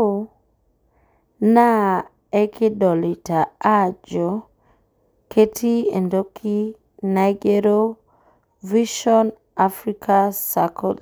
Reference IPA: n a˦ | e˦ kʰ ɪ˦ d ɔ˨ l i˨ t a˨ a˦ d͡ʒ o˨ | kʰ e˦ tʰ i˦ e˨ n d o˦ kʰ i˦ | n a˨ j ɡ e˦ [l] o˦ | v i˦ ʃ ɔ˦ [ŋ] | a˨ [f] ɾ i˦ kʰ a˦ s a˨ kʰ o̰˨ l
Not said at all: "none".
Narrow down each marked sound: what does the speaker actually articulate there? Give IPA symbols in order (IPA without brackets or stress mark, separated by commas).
ɾ, n, f